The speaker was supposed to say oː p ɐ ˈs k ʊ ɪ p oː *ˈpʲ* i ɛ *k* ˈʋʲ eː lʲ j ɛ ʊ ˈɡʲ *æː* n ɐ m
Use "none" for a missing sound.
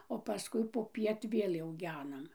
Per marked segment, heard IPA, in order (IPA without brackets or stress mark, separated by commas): pʲ, t, æː